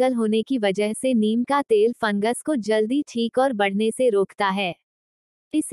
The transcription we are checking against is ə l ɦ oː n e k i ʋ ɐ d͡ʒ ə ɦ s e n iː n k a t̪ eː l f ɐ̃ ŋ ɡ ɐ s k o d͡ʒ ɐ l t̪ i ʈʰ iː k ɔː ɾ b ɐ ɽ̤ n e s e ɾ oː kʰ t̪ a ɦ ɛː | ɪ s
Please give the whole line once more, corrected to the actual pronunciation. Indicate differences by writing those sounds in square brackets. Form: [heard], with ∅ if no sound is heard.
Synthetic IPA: ə l ɦ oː n e k i ʋ ɐ d͡ʒ ə ɦ s e n iː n k a t̪ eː l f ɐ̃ ŋ ɡ [ə] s k o d͡ʒ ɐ l [d̪] i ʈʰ iː k ɔː ɾ b ɐ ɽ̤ n e s e ɾ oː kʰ t̪ a ɦ ɛː | ɪ s